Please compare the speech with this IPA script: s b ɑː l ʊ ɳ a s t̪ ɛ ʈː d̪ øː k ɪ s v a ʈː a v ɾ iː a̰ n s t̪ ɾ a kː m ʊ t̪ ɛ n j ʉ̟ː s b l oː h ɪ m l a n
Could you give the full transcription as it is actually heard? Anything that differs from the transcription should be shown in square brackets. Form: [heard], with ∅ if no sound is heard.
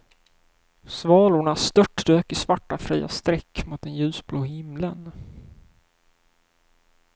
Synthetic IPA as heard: s [v] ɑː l ʊ ɳ a s t̪ [œ] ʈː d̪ øː k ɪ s v a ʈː a [f] ɾ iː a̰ [∅] s t̪ ɾ [ɛ] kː m ʊ t̪ ɛ n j ʉ̟ː s b l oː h ɪ m l [ə] n